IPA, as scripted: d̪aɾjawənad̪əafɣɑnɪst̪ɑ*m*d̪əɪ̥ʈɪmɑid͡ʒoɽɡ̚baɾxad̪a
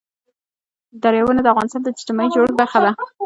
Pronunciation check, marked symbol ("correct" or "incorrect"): incorrect